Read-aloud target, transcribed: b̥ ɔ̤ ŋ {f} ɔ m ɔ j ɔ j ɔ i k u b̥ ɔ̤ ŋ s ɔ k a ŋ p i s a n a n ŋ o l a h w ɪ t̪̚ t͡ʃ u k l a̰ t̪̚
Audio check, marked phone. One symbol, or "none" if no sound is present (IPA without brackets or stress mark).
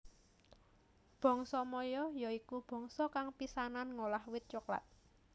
s